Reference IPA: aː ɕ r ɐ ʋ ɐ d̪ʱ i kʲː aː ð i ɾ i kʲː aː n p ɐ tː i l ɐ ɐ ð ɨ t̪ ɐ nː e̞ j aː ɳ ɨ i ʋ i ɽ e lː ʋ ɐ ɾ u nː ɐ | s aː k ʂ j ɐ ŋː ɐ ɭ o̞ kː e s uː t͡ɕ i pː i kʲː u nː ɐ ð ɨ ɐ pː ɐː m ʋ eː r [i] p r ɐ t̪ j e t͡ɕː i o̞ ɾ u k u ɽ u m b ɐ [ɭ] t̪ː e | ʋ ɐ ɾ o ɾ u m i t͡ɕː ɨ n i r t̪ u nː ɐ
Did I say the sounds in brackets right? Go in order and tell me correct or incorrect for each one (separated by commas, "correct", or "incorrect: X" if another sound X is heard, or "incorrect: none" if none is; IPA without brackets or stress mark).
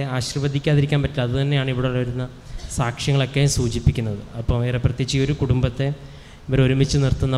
incorrect: e, incorrect: none